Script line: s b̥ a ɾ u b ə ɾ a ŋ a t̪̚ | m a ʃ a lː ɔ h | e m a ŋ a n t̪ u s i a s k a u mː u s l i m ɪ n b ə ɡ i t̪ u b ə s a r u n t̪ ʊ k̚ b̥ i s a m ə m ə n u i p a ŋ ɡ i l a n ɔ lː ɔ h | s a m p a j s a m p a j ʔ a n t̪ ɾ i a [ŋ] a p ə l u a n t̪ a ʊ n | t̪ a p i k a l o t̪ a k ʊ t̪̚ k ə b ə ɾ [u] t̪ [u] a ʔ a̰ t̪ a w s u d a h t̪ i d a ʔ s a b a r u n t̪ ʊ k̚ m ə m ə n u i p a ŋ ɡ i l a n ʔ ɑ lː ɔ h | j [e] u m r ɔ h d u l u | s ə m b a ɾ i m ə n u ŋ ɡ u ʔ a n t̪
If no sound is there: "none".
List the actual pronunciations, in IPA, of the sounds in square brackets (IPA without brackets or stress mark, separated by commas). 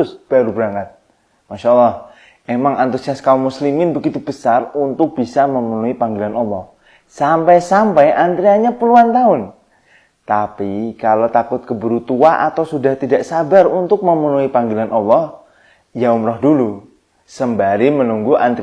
ɲ, u, u, a